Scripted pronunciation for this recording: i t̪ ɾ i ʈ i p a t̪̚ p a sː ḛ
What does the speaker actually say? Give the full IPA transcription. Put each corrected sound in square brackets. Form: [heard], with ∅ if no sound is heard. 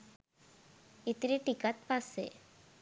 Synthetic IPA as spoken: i t̪ ɾ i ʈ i [k] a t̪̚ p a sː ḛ